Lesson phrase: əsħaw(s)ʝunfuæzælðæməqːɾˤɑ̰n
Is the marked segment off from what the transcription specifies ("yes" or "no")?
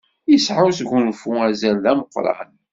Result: no